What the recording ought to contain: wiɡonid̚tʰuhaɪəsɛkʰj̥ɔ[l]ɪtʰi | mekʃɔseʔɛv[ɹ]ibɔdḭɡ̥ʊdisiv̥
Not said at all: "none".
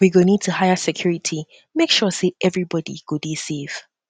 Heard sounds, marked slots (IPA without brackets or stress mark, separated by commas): ɹ, ɹ